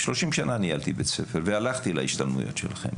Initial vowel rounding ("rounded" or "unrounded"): rounded